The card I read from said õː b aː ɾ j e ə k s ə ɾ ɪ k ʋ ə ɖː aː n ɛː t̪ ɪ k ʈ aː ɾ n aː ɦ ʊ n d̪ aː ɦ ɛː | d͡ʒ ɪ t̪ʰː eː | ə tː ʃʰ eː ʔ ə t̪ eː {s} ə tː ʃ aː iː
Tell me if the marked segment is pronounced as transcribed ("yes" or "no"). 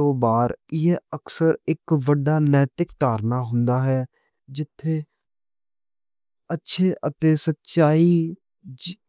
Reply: yes